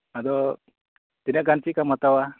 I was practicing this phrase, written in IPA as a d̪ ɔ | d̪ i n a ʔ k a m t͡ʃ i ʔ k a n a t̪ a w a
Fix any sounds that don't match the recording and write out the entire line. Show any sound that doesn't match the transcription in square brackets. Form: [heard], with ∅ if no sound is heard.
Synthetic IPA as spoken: a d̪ ɔ | [t̪] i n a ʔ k a [n] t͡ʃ i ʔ k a [m] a t̪ a w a